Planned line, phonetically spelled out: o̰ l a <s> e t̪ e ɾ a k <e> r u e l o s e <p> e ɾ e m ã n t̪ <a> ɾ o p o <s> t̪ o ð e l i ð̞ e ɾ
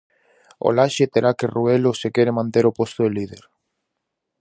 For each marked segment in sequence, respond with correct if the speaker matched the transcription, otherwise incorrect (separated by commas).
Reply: incorrect, correct, incorrect, incorrect, correct